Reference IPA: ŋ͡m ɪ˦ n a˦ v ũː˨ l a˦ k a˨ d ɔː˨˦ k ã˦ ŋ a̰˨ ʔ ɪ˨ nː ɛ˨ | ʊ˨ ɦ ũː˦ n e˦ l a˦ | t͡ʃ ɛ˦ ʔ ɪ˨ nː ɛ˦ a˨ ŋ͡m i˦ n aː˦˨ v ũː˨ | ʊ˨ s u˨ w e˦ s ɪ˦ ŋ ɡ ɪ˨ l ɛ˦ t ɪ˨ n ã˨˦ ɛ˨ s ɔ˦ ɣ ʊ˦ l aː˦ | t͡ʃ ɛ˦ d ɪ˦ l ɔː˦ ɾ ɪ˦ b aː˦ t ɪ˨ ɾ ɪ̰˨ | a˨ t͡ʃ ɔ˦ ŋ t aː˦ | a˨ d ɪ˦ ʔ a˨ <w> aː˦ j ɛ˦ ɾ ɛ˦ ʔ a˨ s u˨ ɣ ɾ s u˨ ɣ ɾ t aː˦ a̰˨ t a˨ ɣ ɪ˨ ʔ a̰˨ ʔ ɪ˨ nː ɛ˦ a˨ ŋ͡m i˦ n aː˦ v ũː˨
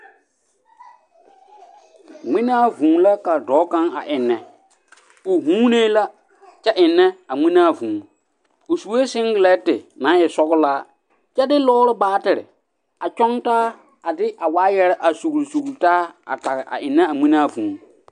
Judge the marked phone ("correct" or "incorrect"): correct